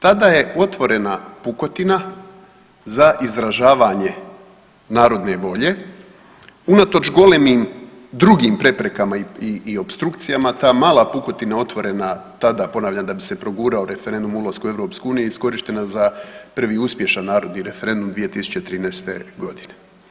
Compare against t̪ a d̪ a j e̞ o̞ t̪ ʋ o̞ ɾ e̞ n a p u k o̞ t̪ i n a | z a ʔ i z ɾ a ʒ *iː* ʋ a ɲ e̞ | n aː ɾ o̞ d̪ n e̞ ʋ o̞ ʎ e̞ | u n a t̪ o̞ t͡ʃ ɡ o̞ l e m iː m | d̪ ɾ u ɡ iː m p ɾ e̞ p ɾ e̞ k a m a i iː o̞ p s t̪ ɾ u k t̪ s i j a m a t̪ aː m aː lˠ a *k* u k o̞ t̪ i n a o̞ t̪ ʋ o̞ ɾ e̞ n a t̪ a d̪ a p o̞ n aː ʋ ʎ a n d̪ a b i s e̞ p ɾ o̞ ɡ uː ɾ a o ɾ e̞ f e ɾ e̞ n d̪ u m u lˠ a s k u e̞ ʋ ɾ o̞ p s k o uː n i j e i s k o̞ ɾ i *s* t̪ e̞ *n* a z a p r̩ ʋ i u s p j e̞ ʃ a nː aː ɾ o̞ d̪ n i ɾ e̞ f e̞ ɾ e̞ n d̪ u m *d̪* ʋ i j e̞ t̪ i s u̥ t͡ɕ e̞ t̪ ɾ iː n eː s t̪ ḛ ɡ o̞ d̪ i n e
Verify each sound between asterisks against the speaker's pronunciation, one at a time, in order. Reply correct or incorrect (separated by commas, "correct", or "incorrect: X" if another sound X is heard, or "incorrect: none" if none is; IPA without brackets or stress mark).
incorrect: aː, incorrect: p, incorrect: ʃ, correct, correct